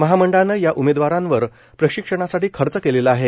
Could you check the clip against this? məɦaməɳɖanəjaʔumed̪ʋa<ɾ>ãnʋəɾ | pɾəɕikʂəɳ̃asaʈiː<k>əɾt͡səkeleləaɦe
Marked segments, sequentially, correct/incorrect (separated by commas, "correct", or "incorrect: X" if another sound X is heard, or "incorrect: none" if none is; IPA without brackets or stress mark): correct, incorrect: kʰ